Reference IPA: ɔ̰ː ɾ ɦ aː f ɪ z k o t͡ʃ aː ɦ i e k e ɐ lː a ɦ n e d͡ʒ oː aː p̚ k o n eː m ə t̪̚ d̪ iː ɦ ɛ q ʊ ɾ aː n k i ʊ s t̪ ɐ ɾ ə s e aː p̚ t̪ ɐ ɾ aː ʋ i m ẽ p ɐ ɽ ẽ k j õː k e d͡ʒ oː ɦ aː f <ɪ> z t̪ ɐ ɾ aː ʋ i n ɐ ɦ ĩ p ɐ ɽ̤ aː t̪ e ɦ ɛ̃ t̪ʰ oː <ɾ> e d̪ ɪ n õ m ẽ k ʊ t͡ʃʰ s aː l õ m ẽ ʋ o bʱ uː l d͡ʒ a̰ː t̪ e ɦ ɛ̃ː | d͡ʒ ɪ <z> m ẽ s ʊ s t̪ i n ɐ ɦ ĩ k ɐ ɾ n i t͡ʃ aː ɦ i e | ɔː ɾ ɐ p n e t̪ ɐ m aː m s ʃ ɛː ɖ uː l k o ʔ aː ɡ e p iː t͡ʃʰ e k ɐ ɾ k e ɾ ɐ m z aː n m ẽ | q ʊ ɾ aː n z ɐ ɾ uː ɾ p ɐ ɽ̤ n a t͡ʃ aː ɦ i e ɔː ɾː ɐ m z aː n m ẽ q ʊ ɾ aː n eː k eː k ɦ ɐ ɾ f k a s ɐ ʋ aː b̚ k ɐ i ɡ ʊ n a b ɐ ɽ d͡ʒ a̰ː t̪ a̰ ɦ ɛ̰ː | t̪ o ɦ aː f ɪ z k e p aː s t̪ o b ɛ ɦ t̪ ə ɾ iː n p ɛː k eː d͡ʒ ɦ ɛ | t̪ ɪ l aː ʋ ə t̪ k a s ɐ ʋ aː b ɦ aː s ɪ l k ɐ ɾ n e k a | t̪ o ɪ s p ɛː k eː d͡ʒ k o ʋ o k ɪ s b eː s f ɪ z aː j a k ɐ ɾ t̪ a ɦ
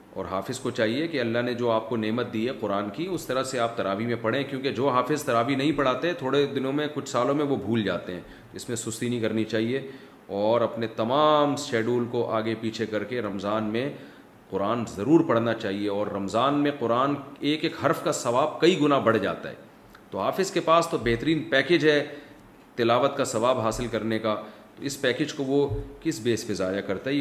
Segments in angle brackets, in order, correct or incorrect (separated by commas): correct, incorrect, incorrect